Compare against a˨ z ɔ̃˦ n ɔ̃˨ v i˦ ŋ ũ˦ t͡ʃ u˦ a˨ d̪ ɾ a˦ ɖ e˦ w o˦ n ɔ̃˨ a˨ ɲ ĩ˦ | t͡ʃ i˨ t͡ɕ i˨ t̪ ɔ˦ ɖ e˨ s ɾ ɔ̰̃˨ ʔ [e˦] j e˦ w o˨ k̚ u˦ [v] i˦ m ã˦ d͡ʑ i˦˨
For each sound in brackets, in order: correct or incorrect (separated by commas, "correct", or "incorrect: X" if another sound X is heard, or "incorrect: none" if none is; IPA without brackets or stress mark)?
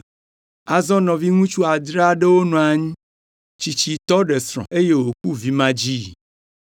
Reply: correct, correct